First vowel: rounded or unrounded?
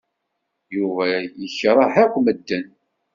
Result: rounded